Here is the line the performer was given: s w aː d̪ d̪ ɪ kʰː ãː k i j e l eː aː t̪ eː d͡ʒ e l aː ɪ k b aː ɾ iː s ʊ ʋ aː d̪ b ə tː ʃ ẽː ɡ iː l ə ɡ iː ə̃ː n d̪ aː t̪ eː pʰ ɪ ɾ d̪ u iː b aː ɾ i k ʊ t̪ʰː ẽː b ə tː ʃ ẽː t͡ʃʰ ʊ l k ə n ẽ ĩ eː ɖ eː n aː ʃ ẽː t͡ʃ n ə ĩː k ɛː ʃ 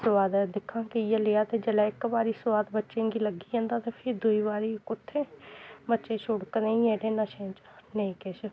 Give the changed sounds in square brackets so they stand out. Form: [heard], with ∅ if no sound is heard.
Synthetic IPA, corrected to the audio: s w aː d̪ d̪ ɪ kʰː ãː k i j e l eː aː t̪ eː d͡ʒ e l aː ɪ k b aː ɾ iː s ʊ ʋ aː d̪ b ə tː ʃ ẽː ɡ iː l ə ɡ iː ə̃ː n d̪ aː t̪ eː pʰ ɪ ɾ d̪ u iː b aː ɾ i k ʊ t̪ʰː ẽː b ə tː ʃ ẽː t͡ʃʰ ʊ [ɽ] k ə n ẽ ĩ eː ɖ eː n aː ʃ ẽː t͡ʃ n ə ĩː k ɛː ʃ